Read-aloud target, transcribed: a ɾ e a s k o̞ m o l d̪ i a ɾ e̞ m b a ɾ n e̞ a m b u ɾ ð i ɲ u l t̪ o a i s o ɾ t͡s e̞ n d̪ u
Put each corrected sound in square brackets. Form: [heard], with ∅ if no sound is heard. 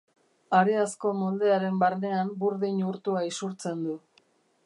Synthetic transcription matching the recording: a ɾ e a s k o̞ m o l d̪ [e] a ɾ e̞ m b a ɾ n e̞ a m b u ɾ ð i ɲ u [ɾ] t̪ [u] a i s [u] ɾ t͡s e̞ n d̪ u